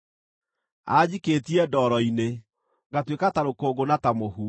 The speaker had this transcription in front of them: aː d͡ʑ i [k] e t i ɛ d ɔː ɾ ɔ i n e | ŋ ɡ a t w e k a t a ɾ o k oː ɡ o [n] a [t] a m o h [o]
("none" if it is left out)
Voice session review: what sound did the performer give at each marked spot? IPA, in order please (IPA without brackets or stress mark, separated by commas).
k, n, t, u